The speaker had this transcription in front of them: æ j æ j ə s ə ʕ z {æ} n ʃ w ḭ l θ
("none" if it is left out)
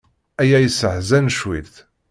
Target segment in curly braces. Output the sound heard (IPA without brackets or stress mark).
æ